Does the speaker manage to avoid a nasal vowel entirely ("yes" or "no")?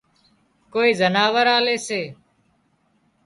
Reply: yes